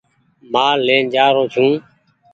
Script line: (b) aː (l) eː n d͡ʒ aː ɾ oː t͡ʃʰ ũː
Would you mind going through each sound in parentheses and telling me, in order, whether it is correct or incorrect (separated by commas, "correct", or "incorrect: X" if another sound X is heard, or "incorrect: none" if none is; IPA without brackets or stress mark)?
incorrect: m, correct